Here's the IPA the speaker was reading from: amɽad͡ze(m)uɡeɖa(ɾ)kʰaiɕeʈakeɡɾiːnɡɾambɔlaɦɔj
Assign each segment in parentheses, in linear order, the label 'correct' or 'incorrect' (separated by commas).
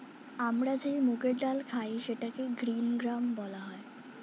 correct, incorrect